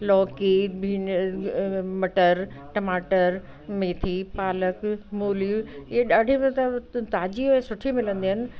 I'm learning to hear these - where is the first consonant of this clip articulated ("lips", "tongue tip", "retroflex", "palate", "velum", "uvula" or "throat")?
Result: tongue tip